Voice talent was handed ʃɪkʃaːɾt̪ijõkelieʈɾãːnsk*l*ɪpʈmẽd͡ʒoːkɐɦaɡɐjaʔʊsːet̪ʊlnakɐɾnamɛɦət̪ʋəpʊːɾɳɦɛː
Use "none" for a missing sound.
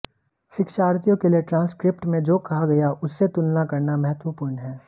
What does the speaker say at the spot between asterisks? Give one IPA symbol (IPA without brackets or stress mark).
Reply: ɾ